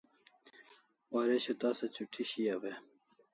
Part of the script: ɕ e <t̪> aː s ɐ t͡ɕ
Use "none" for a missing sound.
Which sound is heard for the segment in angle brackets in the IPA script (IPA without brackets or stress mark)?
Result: t̪